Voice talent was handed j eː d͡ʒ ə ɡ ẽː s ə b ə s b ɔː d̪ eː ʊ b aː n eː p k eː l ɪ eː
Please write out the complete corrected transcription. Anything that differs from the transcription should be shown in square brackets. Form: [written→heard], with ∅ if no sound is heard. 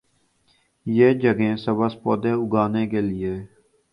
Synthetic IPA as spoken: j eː d͡ʒ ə ɡ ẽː s ə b ə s [b→p] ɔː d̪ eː ʊ [b→ɡ] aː n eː [p→∅] k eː l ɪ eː